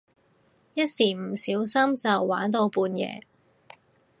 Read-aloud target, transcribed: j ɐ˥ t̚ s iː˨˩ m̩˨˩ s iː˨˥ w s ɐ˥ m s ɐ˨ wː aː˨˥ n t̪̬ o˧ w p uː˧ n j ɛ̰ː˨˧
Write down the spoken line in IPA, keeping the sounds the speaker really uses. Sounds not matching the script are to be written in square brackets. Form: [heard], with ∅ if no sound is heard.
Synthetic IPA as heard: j ɐ˥ t̚ s iː˨˩ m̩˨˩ s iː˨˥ w s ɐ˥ m [t͡s] ɐ˨ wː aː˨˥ n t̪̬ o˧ w p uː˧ n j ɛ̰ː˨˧